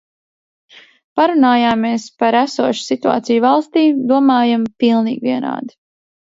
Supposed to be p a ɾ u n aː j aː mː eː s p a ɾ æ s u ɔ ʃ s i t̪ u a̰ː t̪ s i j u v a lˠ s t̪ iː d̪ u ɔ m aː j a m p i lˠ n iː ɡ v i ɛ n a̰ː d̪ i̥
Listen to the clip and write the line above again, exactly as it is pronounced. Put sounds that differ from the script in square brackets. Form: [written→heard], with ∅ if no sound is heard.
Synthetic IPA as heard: p a ɾ u n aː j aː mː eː s p a ɾ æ s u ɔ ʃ s i t̪ u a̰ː t̪ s i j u v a lˠ s t̪ iː d̪ u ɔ m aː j a m p i lˠ n iː ɡ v i ɛ n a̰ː d̪ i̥